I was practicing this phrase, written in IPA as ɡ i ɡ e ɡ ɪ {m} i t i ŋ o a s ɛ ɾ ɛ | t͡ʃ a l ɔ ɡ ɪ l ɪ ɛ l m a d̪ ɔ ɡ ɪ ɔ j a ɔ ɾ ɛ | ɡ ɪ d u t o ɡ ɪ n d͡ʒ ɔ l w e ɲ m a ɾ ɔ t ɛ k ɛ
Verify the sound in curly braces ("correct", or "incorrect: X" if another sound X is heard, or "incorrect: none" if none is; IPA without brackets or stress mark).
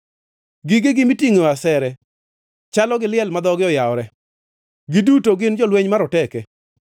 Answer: correct